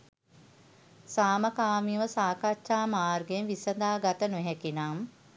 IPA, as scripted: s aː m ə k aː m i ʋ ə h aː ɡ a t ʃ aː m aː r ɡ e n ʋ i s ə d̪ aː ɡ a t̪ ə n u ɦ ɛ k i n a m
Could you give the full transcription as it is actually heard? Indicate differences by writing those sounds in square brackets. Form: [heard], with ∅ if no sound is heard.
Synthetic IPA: s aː m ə k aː m i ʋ ə [s] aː [k] a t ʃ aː m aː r ɡ e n ʋ i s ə d̪ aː ɡ a t̪ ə n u ɦ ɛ k i n a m